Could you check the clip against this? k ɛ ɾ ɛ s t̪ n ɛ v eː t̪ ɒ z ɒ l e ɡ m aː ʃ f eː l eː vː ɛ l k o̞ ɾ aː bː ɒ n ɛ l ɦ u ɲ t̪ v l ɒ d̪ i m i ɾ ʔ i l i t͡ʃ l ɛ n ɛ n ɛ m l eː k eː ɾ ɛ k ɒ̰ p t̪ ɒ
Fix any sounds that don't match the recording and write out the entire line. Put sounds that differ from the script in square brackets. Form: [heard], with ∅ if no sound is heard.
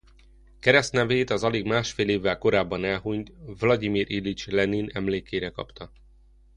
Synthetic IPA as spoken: k ɛ ɾ ɛ s t̪ n ɛ v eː t̪ ɒ z ɒ l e ɡ m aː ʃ f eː l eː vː ɛ l k o̞ ɾ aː bː ɒ n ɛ l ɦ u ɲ t̪ v l ɒ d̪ i m i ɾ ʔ i l i t͡ʃ l ɛ n [i] n ɛ m l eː k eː ɾ ɛ k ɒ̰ p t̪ ɒ